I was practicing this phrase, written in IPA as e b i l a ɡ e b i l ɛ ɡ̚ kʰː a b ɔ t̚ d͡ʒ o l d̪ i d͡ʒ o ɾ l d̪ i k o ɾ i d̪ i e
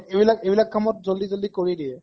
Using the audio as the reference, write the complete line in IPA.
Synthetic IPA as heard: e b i l a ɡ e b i l a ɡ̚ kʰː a m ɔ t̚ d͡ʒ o l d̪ i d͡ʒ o l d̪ i k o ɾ i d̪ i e